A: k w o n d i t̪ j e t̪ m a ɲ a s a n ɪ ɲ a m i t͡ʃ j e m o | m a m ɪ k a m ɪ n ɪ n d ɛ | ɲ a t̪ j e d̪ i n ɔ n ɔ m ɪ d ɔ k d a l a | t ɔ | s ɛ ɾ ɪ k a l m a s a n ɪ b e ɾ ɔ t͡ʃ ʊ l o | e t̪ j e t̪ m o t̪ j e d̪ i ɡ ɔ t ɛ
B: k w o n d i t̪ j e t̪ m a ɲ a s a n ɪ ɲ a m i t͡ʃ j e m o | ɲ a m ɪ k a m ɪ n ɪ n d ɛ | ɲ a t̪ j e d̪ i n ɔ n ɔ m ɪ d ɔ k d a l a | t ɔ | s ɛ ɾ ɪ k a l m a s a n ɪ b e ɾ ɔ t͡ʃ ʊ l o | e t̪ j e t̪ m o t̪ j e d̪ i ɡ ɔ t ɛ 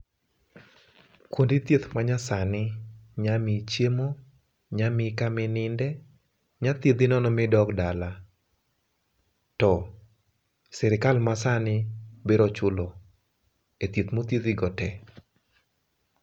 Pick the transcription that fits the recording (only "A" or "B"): B